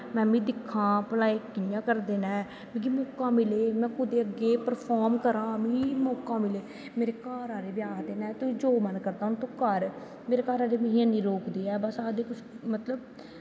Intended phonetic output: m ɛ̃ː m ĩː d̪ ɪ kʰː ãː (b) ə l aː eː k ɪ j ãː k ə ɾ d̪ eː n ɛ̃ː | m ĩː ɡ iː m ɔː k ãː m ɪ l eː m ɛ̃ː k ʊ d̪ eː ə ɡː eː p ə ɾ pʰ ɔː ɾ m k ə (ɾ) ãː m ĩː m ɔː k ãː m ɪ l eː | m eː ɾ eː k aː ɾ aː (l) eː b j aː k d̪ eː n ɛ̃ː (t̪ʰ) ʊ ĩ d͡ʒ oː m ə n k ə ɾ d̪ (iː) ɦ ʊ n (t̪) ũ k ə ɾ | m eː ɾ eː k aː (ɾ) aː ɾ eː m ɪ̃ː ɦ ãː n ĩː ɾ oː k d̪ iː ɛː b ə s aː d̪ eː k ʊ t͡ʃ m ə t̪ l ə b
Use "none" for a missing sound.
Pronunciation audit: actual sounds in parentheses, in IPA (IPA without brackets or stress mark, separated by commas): p, ɾ, ɾ, t̪, aː, t̪, ɾ